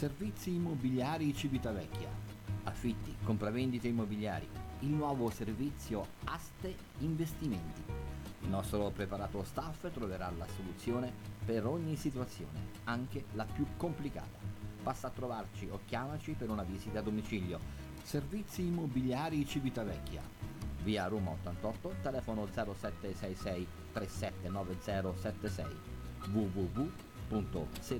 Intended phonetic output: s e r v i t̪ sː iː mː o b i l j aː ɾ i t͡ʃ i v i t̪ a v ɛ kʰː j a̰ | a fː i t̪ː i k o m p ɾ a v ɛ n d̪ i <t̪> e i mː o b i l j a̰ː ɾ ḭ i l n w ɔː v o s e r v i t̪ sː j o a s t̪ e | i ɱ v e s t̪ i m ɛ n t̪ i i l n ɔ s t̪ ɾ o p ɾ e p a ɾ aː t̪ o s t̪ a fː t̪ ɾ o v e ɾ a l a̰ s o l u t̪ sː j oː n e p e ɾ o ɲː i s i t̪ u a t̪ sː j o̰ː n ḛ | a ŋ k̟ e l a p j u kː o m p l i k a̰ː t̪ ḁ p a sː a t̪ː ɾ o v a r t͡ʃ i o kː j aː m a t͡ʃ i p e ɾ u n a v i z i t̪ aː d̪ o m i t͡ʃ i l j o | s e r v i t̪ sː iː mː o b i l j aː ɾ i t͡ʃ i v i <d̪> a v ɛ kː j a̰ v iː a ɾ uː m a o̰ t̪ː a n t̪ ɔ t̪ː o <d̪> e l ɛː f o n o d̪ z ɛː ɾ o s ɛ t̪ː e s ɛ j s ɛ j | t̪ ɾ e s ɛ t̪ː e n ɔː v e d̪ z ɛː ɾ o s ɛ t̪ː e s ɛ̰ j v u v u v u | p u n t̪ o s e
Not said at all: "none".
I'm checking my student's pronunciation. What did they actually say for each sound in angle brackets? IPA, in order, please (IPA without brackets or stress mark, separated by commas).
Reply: t̪, t̪, t̪